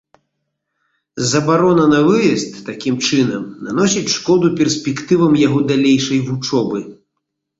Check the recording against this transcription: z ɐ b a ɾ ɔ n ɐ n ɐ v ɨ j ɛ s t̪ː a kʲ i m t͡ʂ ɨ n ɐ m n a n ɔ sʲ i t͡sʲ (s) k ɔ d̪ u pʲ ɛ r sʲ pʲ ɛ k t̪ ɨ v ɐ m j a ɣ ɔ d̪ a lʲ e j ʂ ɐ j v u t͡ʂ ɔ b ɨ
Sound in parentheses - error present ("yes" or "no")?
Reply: yes